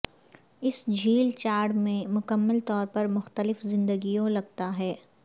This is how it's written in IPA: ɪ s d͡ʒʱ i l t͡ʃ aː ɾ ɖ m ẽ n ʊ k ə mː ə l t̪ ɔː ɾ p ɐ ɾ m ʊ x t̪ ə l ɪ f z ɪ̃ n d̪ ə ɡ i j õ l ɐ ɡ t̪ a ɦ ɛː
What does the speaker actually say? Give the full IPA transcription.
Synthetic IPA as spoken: ɪ s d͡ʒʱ iː l t͡ʃ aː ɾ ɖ m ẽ m ʊ k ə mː ə l t̪ ɔː ɾ p ɐ ɾ m ʊ x t̪ ə l ɪ f z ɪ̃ n d̪ ə ɡ i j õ l ɐ ɡ t̪ a ɦ ɛː